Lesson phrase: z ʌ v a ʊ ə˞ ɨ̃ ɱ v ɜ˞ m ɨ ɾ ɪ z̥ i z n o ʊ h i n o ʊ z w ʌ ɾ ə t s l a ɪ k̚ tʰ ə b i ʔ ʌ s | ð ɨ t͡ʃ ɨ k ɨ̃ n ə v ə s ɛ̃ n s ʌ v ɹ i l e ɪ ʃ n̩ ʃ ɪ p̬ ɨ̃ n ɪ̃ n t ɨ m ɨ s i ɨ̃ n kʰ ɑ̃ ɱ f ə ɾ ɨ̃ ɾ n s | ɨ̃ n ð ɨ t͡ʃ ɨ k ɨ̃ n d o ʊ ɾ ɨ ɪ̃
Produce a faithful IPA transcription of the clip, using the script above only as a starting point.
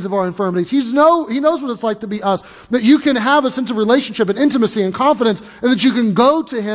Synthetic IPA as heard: z ʌ v a ʊ ə˞ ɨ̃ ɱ f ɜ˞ m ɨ ɾ i z̥ i z n o ʊ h i n o ʊ z w ʌ ɾ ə t s l a ɪ k̚ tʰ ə b i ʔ ʌ s | ð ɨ t͡ʃ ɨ k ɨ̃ n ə v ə s ɛ̃ n s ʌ v ɹ i l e ɪ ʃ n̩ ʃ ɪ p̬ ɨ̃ n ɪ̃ n t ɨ m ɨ s i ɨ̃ n kʰ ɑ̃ ɱ f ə ɾ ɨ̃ n s | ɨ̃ n ð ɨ t͡ʃ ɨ k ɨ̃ n ɡ o ʊ ɾ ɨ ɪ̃